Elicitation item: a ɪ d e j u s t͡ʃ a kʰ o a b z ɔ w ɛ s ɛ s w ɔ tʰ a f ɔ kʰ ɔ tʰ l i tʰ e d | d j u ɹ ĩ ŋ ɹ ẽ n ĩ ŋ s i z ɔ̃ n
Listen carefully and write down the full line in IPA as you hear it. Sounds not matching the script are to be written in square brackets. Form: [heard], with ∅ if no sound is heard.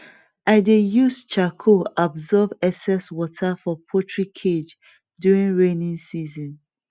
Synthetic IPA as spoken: a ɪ d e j u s t͡ʃ a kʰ o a b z ɔ [v] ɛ s ɛ s w ɔ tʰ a f ɔ [pʰ] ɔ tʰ [ɹ] i [kʰ] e [d͡ʒ] | d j u ɹ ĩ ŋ ɹ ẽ n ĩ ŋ s i z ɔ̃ n